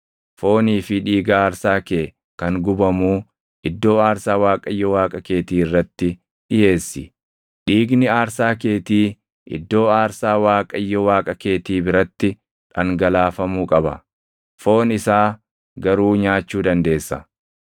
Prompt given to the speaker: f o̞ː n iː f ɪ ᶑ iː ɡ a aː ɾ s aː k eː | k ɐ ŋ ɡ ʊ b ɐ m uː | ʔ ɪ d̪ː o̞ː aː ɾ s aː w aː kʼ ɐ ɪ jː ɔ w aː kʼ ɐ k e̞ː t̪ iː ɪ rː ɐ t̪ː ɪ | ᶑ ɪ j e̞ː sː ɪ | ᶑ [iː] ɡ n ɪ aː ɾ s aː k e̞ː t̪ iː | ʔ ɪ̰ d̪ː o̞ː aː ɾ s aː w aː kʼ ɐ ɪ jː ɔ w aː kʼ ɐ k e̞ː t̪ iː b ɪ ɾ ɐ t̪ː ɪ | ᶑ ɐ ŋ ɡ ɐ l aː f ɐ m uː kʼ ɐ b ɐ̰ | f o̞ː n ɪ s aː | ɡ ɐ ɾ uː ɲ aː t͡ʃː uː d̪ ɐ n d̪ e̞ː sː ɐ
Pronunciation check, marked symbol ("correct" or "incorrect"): correct